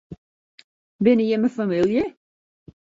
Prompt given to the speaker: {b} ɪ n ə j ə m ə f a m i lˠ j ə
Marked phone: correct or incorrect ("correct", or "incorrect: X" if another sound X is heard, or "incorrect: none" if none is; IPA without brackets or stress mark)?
correct